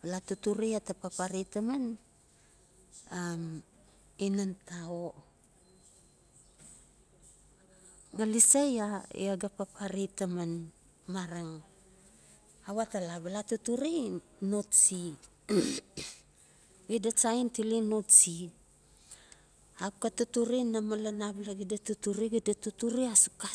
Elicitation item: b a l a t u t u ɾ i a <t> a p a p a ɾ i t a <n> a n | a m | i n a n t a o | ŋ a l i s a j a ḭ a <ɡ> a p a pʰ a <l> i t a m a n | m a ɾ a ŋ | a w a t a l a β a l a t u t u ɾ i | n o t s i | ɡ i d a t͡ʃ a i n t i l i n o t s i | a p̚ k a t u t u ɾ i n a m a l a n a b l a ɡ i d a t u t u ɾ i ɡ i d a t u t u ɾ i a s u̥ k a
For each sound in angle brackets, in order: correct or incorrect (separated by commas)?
correct, incorrect, correct, incorrect